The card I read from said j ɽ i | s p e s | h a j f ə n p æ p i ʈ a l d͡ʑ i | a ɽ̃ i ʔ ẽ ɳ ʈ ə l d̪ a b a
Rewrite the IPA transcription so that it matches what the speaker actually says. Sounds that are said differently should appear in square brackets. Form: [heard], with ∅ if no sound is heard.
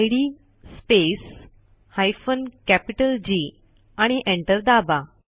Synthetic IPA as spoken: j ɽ i | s p e s | h a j f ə n [k] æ p i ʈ [ə] l d͡ʑ i | a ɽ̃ i ʔ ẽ ɳ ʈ ə [ɾ] d̪ a b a